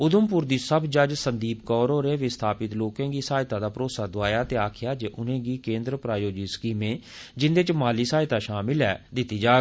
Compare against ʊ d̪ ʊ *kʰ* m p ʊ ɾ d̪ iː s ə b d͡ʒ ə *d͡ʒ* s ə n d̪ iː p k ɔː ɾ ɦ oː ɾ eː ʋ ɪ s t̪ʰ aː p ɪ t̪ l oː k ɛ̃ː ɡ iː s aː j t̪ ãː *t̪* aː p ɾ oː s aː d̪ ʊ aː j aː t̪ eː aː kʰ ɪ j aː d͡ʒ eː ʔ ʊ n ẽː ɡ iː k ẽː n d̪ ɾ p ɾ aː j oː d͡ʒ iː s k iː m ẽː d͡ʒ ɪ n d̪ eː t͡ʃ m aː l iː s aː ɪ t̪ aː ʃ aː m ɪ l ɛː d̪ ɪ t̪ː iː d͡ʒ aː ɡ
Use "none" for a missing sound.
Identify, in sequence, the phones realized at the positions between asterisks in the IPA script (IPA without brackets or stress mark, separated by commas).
none, d͡ʒ, d̪